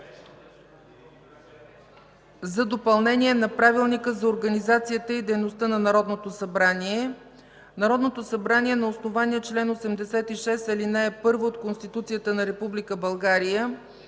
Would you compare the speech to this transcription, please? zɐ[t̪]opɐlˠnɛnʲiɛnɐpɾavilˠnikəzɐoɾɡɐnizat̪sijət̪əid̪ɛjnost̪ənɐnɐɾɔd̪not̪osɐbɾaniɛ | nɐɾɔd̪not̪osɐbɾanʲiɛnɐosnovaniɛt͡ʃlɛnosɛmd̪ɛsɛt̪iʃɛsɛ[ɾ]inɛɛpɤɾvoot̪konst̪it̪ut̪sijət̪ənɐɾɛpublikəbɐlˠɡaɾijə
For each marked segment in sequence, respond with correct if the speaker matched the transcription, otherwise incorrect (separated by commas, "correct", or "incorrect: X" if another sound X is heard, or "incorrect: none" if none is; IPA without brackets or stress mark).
incorrect: d̪, incorrect: l